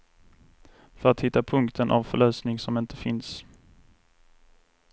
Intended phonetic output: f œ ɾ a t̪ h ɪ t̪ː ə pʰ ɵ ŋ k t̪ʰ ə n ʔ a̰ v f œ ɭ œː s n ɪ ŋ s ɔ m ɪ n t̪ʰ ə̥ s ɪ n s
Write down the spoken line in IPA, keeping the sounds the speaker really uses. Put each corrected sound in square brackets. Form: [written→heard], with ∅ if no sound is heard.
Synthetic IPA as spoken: f œ ɾ a t̪ h ɪ t̪ː [ə→a] pʰ ɵ ŋ k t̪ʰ ə n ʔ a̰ v f œ ɭ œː s n ɪ ŋ s ɔ m ɪ n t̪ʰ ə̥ [s→f] ɪ n s